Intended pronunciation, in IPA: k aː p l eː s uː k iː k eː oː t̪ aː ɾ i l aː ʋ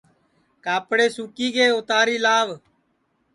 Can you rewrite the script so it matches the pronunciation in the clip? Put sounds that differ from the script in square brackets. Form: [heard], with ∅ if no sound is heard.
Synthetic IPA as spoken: k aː p [ɽ] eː s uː k iː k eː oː t̪ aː ɾ [iː] l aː ʋ